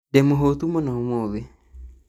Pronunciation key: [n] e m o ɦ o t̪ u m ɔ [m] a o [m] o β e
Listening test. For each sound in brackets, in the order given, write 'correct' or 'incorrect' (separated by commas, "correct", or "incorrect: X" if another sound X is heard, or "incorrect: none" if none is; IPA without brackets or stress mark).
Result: incorrect: d, incorrect: n, correct